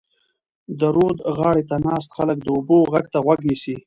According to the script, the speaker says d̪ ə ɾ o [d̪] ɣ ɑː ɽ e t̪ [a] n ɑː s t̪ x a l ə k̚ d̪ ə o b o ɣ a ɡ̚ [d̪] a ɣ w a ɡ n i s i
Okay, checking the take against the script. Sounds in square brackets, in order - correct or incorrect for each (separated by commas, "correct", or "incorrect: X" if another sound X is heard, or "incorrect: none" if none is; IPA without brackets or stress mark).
correct, correct, incorrect: t̪